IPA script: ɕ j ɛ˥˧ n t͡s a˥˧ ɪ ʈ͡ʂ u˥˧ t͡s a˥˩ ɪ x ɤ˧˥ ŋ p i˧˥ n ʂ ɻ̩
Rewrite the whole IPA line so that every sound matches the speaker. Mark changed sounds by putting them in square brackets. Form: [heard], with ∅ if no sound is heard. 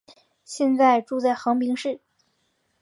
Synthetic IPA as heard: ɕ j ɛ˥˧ n t͡s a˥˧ ɪ ʈ͡ʂ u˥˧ t͡s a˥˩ ɪ x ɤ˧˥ ŋ p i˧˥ [ŋ] ʂ ɻ̩